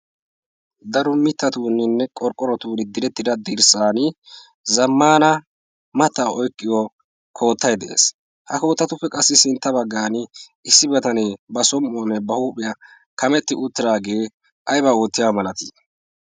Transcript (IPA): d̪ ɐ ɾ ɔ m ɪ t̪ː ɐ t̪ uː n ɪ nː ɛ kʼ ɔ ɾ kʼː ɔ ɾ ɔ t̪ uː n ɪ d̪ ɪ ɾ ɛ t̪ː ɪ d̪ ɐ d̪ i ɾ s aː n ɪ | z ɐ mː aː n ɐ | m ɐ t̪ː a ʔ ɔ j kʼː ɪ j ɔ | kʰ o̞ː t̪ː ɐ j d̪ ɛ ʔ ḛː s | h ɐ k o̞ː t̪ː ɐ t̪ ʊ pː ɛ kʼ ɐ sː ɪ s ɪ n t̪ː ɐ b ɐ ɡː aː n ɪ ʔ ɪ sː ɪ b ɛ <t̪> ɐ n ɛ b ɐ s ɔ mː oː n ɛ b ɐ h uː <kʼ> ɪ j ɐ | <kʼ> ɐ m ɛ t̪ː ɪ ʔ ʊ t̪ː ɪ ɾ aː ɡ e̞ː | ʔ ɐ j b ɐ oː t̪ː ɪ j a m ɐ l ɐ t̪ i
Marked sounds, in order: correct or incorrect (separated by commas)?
correct, incorrect, incorrect